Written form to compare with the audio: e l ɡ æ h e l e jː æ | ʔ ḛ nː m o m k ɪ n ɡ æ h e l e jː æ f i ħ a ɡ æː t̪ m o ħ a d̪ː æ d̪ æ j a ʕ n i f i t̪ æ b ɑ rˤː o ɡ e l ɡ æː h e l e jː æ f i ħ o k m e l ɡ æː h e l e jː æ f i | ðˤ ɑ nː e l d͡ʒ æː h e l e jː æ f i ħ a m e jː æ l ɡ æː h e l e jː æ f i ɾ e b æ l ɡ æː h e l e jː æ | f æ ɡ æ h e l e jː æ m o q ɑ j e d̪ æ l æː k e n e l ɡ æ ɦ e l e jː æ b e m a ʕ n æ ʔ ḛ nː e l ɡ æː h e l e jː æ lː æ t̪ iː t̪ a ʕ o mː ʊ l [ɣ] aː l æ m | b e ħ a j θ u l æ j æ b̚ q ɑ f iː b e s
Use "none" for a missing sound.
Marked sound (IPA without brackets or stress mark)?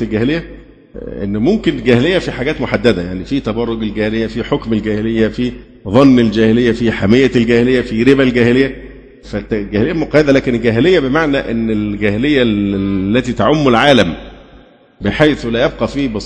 ʕ